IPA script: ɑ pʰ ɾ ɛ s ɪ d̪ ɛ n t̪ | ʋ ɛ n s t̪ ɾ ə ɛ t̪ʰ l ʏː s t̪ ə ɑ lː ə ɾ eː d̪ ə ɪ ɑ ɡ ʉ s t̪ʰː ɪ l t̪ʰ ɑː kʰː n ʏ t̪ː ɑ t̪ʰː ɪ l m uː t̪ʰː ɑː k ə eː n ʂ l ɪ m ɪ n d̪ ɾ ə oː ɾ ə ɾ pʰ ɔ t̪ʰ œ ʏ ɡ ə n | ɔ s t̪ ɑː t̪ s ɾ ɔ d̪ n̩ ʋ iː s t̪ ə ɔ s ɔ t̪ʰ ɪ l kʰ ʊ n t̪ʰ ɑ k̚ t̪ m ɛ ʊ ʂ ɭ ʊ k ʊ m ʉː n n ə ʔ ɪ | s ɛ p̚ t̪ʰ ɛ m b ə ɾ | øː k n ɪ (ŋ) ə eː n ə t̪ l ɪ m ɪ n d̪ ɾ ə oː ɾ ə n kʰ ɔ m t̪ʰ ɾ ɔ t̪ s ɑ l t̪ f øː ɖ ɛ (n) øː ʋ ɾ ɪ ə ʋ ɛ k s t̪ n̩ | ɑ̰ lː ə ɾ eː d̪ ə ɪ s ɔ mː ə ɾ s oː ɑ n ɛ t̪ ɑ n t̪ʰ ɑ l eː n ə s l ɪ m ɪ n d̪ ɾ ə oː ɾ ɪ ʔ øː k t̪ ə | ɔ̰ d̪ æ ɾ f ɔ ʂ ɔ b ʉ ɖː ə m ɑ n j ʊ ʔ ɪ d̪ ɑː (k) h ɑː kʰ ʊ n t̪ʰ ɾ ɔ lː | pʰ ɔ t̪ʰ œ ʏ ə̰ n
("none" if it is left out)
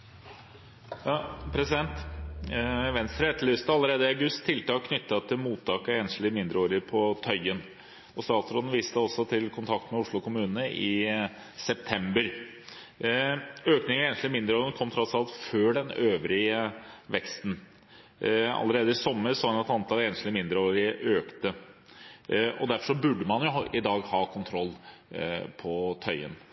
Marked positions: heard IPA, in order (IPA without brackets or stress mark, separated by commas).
ŋ, n, ɡ